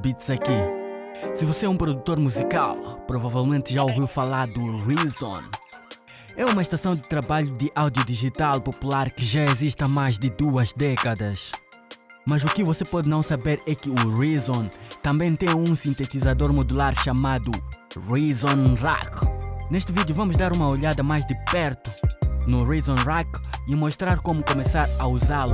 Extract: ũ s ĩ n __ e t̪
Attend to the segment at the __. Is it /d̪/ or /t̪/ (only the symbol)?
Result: t̪